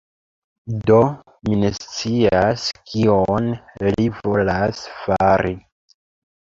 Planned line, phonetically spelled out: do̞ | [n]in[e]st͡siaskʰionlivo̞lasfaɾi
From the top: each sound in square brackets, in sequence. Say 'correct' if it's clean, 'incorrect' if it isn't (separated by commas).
incorrect, correct